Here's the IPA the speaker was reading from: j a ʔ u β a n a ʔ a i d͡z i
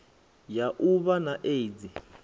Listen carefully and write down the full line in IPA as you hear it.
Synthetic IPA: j a ʔ u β a n a ʔ e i d͡z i